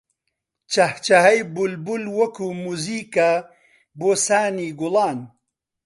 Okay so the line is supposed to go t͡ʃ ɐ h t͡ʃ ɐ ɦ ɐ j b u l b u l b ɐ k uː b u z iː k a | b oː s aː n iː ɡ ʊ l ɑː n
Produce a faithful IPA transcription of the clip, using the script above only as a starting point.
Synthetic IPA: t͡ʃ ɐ h t͡ʃ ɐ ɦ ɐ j b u l b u l w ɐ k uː m u z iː k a | b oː s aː n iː ɡ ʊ l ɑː n